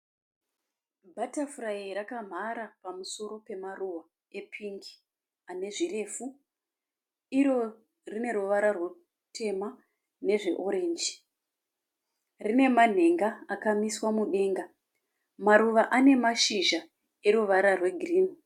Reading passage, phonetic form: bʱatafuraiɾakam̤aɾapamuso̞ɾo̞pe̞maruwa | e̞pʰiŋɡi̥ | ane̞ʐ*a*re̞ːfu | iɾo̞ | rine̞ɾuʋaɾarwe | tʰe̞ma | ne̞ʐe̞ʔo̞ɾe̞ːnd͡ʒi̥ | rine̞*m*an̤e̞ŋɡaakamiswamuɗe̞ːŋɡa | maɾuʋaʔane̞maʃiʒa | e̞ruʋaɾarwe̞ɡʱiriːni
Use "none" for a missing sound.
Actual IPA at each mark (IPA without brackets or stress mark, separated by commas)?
i, m